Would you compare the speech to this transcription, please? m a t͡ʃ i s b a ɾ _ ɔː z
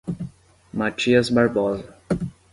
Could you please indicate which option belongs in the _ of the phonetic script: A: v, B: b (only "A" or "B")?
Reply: B